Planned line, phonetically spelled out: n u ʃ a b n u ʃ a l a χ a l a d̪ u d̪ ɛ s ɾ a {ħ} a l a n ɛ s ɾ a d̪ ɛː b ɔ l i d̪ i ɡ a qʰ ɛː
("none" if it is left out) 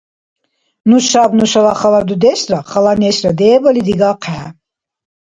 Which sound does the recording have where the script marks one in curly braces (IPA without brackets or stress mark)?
χ